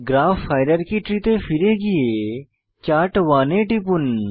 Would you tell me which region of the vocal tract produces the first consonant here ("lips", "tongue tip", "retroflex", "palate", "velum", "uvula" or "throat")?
velum